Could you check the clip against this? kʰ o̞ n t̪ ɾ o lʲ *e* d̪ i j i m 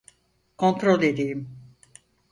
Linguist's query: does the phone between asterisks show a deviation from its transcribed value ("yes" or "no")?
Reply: no